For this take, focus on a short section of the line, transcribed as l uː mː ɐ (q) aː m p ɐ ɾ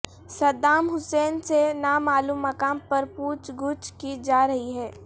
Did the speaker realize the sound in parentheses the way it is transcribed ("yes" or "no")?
no